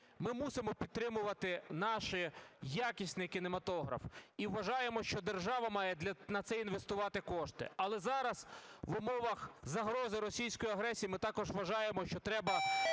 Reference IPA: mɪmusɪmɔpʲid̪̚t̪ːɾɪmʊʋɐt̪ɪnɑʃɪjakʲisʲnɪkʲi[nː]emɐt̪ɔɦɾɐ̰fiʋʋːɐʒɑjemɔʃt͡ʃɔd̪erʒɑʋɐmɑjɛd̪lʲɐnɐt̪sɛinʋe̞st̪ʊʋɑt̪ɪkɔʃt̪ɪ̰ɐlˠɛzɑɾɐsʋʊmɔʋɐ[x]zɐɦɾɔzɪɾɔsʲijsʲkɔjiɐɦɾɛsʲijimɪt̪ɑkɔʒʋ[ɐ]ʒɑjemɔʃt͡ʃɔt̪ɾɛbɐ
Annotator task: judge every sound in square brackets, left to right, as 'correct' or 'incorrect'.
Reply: incorrect: n, correct, correct

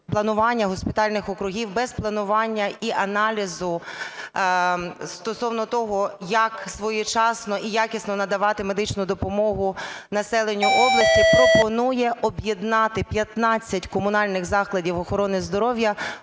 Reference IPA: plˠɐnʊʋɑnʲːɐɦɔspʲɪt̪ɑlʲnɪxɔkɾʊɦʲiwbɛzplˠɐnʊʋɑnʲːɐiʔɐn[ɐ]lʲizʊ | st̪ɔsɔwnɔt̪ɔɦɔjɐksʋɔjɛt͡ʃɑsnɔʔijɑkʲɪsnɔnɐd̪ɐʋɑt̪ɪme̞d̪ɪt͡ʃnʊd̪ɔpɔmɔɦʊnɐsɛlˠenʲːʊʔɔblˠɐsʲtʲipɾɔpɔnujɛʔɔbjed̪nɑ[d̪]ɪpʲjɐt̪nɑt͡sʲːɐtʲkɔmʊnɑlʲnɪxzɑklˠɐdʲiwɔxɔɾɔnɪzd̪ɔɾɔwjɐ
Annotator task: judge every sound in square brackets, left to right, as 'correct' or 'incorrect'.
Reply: incorrect: ɑ, incorrect: t̪

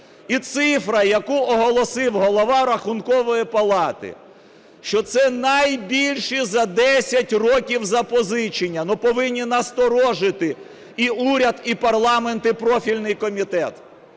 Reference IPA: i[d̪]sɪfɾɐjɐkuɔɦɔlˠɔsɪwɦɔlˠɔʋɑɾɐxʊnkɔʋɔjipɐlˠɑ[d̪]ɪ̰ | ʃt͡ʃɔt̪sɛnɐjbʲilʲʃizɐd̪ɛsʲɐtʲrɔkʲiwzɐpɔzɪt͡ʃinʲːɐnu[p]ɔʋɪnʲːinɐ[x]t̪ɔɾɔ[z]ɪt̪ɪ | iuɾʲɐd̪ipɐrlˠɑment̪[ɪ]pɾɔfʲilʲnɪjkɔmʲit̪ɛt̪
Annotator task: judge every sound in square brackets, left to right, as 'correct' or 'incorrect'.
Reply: incorrect: t̪, incorrect: t̪, correct, incorrect: s, incorrect: ʒ, correct

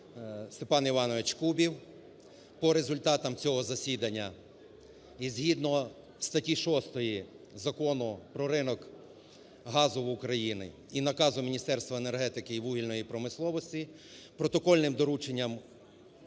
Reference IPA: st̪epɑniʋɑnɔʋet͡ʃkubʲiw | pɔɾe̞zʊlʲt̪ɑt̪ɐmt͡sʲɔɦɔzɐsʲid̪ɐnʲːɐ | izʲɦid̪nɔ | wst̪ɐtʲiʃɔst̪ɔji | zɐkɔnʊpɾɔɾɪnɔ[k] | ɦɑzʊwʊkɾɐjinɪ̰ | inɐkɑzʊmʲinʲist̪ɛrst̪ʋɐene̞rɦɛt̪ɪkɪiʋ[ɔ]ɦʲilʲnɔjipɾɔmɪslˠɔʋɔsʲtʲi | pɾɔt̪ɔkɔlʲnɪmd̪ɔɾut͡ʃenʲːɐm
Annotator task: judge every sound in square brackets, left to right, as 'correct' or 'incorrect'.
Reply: correct, incorrect: u

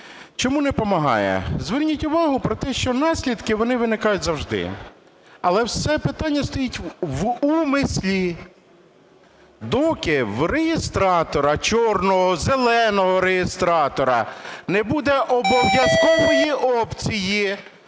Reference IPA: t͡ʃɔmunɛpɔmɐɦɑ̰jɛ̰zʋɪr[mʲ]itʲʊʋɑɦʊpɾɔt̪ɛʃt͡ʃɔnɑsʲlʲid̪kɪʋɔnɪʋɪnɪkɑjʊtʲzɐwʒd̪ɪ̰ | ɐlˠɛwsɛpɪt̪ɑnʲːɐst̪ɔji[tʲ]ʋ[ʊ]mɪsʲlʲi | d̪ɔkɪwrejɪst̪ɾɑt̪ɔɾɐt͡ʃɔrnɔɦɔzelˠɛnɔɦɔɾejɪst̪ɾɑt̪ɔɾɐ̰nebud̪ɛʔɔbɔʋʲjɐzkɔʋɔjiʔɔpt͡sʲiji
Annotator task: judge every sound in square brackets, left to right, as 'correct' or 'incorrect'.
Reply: incorrect: nʲ, correct, incorrect: u

